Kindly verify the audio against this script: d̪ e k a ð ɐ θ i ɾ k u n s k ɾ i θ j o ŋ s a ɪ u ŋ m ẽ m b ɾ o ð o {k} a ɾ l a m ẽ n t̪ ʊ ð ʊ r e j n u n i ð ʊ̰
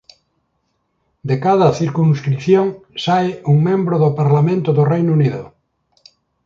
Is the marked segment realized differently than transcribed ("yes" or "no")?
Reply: yes